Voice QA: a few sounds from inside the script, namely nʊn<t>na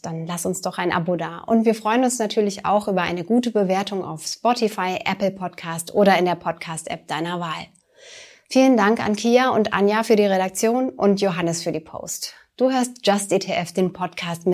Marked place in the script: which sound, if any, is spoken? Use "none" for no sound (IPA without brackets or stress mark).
s